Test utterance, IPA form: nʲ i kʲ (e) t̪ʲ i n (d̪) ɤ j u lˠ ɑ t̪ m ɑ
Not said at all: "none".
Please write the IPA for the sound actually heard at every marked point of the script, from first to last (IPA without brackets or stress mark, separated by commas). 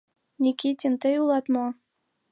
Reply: i, t̪